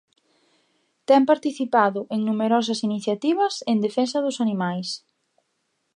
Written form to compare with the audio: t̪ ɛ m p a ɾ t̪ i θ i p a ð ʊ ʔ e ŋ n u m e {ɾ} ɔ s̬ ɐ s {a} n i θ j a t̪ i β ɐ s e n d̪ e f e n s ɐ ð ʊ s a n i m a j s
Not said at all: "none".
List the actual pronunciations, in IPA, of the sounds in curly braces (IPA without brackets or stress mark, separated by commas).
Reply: ɾ, i